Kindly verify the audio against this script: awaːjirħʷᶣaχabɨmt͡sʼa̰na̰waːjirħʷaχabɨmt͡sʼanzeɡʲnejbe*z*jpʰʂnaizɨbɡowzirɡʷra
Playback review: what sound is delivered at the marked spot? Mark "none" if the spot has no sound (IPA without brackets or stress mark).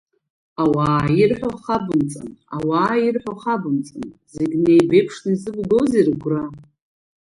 none